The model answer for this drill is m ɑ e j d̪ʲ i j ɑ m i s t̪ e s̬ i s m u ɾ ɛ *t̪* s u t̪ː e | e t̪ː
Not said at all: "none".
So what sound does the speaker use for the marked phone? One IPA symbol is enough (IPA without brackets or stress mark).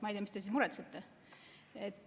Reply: t̪